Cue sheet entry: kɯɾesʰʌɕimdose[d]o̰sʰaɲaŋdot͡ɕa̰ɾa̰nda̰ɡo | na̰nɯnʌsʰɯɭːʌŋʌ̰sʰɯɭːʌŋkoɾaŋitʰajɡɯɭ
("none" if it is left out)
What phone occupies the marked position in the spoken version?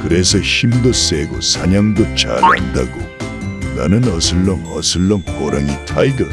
ɡ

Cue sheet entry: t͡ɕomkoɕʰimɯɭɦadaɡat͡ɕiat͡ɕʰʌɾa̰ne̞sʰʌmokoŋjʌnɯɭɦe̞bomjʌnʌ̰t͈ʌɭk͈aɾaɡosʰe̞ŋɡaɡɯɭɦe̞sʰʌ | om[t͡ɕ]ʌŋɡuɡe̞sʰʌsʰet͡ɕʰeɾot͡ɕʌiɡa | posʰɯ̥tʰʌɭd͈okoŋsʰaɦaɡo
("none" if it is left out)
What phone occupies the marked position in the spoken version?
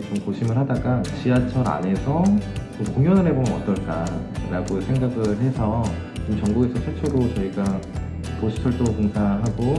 t͡ɕ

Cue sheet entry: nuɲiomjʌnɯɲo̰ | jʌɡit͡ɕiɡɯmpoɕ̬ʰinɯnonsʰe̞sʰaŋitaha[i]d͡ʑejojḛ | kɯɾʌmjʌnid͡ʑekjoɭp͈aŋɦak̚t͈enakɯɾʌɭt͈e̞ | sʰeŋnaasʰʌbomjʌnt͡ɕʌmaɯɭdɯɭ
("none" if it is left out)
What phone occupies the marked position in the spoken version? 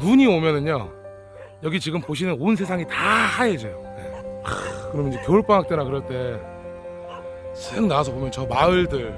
e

